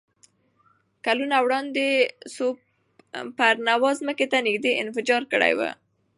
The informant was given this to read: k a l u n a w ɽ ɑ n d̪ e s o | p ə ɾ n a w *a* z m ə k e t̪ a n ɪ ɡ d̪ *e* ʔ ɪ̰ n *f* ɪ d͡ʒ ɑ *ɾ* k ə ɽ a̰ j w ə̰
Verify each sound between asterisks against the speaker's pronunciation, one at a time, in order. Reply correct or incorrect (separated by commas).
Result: incorrect, correct, correct, correct